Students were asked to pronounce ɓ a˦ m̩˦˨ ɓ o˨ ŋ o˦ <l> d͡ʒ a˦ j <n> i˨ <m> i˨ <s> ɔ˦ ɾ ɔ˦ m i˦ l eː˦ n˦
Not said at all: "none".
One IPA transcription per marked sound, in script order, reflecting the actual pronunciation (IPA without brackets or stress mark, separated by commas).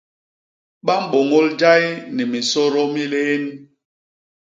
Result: l, n, m, s